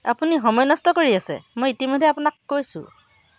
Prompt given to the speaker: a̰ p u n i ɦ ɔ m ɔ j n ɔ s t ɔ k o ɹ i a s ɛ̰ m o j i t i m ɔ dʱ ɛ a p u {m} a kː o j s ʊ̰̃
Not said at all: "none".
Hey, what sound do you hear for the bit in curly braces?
n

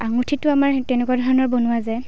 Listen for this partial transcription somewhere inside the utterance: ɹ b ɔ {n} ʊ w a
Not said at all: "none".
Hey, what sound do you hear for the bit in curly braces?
n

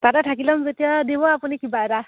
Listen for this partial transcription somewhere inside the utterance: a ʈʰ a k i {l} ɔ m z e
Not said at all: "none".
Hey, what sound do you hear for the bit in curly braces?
l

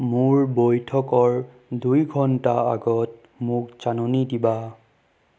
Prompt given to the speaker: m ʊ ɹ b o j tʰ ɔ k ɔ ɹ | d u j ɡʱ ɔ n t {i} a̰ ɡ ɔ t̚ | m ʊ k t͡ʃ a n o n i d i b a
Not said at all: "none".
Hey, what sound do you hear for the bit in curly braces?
a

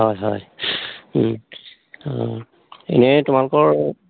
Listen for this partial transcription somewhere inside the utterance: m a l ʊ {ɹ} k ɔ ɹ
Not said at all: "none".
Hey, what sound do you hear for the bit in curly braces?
none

